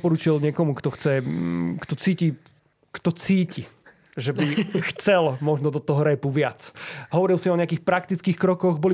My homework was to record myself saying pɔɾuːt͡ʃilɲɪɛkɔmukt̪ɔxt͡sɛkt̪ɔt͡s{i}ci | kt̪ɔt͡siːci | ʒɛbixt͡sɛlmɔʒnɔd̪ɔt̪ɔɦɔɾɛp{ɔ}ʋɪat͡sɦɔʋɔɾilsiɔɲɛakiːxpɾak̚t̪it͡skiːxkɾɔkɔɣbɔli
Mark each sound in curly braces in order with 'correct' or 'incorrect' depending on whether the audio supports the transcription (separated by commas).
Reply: incorrect, incorrect